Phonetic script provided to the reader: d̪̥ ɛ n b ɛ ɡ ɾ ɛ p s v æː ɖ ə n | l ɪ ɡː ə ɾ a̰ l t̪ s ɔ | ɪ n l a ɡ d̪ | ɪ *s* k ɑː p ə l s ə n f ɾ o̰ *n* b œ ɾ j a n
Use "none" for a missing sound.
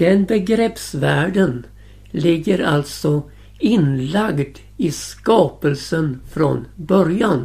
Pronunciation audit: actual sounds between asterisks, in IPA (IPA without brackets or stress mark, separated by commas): s, n